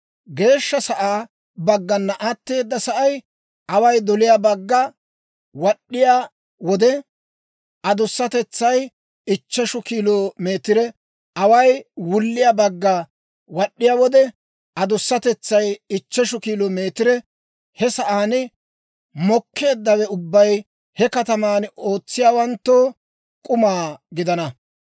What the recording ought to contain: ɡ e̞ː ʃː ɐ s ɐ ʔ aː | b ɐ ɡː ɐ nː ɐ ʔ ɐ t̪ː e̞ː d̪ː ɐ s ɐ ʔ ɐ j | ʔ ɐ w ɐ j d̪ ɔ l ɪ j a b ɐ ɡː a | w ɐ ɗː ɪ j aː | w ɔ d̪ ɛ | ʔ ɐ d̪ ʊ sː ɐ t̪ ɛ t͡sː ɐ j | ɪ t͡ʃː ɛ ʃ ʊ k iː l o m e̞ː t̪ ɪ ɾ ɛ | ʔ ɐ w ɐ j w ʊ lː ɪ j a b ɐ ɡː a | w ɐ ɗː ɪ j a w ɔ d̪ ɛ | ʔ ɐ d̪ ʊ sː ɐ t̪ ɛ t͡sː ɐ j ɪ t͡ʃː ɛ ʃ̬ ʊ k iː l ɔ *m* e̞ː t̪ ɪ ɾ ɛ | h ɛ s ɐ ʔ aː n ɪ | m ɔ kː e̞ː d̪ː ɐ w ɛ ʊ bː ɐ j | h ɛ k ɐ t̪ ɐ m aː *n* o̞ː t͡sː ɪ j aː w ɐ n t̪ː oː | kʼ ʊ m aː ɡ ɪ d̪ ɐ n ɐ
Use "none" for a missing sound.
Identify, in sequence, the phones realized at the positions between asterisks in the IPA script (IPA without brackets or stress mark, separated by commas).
m, n